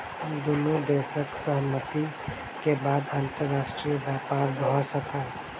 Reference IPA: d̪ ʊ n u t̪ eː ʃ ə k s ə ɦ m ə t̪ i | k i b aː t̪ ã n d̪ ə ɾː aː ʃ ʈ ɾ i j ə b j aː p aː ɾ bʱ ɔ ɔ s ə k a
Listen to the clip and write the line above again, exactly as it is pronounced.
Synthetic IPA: d̪ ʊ n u d̪ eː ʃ ə k s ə ɦ m ə t̪ i | k e b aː d̪ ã n t̪ ə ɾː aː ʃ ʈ ɾ i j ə b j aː p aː ɾ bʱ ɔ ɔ s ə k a